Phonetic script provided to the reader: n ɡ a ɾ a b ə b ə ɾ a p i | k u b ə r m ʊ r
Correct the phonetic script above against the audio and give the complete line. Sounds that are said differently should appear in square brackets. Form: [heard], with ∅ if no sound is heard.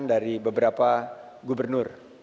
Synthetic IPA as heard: n [d] a ɾ [i] b ə b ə ɾ a p [a] | [ɡ] u b ə r [n] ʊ r

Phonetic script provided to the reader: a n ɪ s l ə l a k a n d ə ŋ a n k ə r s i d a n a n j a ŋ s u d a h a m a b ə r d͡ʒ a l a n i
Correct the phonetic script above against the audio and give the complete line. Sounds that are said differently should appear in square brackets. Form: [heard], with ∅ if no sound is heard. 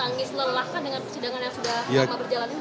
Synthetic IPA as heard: a [ŋ] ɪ s l ə l a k a n d ə ŋ a n [p] ə r s i d a [ŋ] a n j a ŋ s u d a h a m a b ə r d͡ʒ a l a n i

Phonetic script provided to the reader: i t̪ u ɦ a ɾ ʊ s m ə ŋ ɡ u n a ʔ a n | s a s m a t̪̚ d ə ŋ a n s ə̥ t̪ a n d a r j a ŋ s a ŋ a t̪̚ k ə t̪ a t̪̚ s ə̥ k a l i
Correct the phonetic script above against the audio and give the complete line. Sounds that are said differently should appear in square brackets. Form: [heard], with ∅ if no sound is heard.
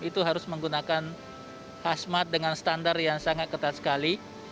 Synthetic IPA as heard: i t̪ u ɦ a ɾ ʊ s m ə ŋ ɡ u n a [k] a n | [h] a s m a t̪̚ d ə ŋ a n s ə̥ t̪ a n d a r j a ŋ s a ŋ a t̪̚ k ə t̪ a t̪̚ s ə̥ k a l i

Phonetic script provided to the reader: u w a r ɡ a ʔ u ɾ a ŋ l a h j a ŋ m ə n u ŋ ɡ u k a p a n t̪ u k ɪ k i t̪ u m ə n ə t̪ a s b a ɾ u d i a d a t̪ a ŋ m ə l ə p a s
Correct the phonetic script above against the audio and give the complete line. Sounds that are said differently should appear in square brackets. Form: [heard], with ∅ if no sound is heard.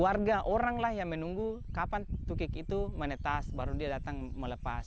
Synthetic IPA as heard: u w a r ɡ a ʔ [o] ɾ a ŋ l a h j a ŋ m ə n u ŋ ɡ u k a p a n t̪ u k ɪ k i t̪ u m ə n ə t̪ a s b a ɾ u d i a d a t̪ a ŋ m ə l ə p a s

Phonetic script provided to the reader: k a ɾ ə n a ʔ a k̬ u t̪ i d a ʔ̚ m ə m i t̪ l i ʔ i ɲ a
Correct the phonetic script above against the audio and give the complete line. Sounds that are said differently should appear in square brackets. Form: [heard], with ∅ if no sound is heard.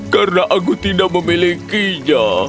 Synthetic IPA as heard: k a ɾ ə n a ʔ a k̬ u t̪ i d a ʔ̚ m ə m i [∅] l i [k] i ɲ a

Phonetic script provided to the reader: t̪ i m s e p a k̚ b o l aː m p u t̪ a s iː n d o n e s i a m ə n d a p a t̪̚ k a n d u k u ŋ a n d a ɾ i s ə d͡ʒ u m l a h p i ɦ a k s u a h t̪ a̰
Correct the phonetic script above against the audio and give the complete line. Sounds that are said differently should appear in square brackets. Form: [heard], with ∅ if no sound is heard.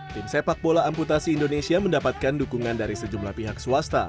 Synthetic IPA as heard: t̪ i m s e p a k̚ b o l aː m p u t̪ a s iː n d o n e s i a m ə n d a p a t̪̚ k a n d u k u ŋ a n d a ɾ i s ə d͡ʒ u m l a h p i ɦ a k s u a [s] t̪ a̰

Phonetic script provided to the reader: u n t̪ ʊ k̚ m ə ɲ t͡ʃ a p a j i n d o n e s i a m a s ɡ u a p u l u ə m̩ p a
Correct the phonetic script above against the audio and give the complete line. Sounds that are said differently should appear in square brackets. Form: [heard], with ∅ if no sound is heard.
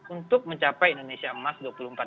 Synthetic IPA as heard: u n t̪ ʊ k̚ m ə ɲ t͡ʃ a p a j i n d o n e s i a m a s [d] u a p u l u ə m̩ p a

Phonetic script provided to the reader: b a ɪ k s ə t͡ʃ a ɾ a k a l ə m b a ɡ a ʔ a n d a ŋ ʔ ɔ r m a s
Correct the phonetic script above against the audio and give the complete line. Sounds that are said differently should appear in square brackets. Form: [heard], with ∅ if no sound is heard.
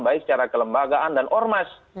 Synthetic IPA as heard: b a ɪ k s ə t͡ʃ a ɾ a k [ə] l ə m b a ɡ a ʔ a n d a [n] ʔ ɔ r m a s

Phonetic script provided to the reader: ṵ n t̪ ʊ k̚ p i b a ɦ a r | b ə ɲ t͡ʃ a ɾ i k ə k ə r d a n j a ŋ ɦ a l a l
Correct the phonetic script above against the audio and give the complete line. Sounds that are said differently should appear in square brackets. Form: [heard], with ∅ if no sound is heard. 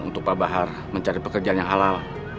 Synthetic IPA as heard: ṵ n t̪ ʊ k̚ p [a] b a ɦ a r | [m] ə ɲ t͡ʃ a ɾ i [p] ə k ə r [d͡ʒ] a n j a ŋ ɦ a l a l

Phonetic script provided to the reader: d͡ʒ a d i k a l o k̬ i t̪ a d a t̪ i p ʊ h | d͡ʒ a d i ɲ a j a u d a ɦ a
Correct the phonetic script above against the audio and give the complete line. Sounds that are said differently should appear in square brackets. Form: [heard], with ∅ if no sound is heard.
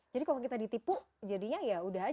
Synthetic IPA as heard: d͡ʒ a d i k a l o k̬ i t̪ a d [i] t̪ i p ʊ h | d͡ʒ a d i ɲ a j a u d a ɦ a

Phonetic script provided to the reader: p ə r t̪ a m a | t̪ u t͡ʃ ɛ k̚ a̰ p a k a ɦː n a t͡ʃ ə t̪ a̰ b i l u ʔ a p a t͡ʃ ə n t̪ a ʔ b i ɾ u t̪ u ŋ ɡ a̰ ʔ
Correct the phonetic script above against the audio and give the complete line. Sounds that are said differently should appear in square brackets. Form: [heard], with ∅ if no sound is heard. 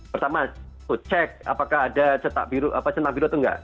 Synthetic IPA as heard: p ə r t̪ a m a | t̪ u t͡ʃ ɛ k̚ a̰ p a k a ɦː [d] a t͡ʃ ə t̪ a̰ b i [ɾ] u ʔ a p a t͡ʃ ə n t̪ a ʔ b i ɾ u t̪ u ŋ ɡ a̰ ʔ

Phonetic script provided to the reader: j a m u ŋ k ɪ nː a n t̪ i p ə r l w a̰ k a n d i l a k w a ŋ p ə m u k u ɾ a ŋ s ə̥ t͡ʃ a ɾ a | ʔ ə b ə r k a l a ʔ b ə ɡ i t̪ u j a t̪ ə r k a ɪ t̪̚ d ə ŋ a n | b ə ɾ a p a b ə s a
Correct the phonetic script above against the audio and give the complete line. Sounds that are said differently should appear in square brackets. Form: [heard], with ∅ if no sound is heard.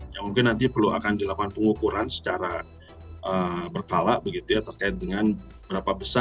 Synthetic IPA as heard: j a m u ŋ k ɪ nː a n t̪ i p ə r l [u] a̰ k a n d i l a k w a [n] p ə [ŋ] u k u ɾ a [n] s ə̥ t͡ʃ a ɾ a | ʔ ə b ə r k a l a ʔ b ə ɡ i t̪ u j a t̪ ə r k a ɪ t̪̚ d ə ŋ a n | b ə ɾ a p a b ə s a

